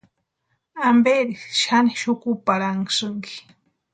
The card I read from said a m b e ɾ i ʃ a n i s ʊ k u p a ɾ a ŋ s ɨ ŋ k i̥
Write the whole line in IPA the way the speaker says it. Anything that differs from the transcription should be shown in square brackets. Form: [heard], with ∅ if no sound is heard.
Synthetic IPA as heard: a m b e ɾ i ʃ a n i [ʃ] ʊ k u p a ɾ a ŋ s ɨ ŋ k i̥